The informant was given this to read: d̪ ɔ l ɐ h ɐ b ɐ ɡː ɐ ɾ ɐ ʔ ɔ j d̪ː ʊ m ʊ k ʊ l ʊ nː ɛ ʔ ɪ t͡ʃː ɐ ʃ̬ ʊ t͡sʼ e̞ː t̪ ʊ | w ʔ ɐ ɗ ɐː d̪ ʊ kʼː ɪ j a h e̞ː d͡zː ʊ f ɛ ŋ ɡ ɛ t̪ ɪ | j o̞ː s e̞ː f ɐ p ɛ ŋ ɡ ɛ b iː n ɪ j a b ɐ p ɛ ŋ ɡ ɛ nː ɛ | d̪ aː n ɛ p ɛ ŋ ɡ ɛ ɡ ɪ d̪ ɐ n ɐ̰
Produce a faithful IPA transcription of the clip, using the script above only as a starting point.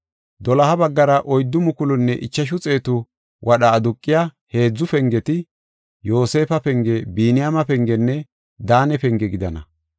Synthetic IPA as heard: d̪ ɔ l ɐ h ɐ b ɐ ɡː ɐ ɾ ɐ ʔ ɔ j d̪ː ʊ m ʊ k ʊ l ʊ nː ɛ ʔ ɪ t͡ʃː ɐ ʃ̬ ʊ t͡sʼ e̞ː t̪ ʊ | w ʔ ɐ ɗ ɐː d̪ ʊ kʼː ɪ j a h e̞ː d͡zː ʊ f ɛ ŋ ɡ ɛ t̪ ɪ | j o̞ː s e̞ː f ɐ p ɛ ŋ ɡ ɛ b iː n ɪ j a m ɐ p ɛ ŋ ɡ ɛ nː ɛ | d̪ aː n ɛ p ɛ ŋ ɡ ɛ ɡ ɪ d̪ ɐ n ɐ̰